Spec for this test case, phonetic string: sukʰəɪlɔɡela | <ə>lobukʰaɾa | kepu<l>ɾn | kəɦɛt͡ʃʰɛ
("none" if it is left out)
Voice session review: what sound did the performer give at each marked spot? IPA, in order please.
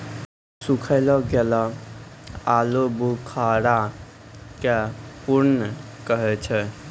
a, none

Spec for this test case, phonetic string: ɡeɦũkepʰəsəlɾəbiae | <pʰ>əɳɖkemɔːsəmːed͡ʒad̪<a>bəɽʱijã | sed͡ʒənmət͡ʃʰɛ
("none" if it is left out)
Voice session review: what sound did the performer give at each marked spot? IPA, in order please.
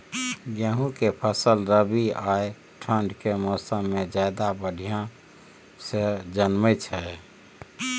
ʈʰ, a

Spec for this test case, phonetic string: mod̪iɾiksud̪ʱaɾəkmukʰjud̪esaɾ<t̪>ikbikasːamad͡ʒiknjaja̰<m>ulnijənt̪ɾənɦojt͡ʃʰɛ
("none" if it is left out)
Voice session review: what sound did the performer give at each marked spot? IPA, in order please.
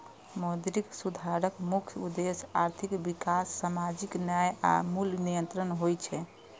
t̪ʰ, m

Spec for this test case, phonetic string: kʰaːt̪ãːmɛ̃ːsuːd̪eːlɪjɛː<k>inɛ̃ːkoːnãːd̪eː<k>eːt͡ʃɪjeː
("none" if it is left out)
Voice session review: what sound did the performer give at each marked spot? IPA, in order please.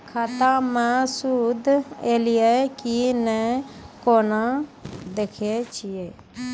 k, kʰ

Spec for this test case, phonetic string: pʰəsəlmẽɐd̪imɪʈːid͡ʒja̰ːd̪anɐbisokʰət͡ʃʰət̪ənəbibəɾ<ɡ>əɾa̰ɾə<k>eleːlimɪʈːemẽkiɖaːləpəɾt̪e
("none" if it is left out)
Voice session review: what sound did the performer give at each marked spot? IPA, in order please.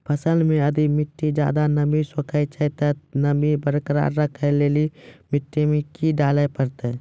k, kʰ

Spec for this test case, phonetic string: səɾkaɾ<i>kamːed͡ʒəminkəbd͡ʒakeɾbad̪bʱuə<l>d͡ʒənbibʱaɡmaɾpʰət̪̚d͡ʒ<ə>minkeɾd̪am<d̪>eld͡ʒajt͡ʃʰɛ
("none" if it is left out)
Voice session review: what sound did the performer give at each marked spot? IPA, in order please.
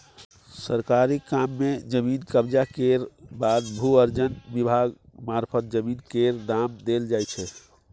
i, ɾ, ə, d̪

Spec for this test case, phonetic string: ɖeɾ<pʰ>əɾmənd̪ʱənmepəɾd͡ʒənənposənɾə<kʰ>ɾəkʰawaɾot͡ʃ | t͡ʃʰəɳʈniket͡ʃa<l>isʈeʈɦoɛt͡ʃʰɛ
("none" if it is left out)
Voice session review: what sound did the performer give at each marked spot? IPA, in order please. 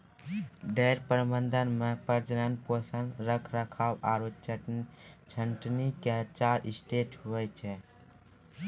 p, kʰ, ɾ

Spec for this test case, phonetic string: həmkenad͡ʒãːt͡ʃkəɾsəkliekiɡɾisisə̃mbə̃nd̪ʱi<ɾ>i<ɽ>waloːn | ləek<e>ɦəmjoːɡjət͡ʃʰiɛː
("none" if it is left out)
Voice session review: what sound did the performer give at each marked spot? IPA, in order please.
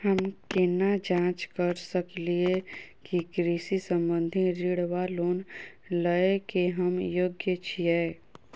ɾ, ɽ, e

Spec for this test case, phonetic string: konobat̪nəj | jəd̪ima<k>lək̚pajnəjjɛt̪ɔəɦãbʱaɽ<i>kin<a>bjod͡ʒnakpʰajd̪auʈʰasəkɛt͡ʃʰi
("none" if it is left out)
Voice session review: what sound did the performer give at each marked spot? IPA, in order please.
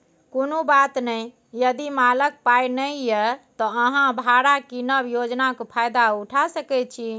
none, a, ə

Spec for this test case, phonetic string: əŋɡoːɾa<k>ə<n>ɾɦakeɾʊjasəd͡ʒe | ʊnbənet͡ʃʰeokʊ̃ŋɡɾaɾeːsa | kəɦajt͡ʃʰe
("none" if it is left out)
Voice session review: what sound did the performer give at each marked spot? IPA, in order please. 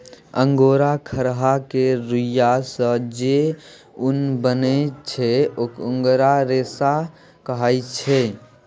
kʰ, none

